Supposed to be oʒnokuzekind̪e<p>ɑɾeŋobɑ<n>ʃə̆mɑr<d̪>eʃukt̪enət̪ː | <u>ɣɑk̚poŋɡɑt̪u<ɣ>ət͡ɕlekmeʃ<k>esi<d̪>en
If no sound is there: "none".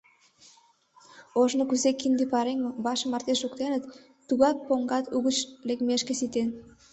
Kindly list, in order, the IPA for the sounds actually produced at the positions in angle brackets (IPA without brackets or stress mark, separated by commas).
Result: p, none, t̪, u, ɣ, k, t̪